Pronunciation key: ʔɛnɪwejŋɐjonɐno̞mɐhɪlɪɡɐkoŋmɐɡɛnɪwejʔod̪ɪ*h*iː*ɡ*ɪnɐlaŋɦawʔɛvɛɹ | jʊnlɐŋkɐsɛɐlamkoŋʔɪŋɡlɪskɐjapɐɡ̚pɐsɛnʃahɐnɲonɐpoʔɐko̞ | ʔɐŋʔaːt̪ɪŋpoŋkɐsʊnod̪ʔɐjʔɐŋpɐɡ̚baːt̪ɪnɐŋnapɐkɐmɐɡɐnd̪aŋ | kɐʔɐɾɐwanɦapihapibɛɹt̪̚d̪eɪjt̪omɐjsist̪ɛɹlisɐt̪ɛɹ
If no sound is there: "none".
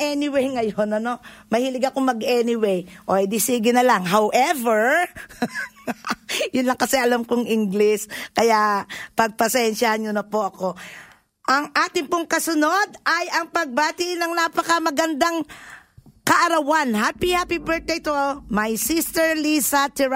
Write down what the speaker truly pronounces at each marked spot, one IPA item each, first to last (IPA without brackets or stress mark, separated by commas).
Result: s, ɡ